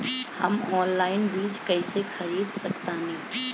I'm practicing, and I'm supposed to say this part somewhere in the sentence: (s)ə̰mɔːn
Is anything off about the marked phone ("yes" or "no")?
yes